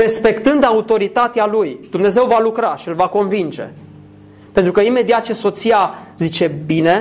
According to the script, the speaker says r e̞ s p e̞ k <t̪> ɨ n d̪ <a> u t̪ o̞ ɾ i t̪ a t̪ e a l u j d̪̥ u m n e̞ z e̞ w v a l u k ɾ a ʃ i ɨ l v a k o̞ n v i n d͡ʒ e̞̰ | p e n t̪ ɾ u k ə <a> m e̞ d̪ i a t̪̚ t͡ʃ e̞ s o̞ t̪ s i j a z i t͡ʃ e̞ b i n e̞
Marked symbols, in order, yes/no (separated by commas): yes, yes, no